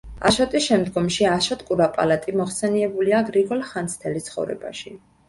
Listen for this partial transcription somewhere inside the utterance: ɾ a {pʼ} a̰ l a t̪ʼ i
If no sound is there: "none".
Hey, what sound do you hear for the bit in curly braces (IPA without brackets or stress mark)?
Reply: pʼ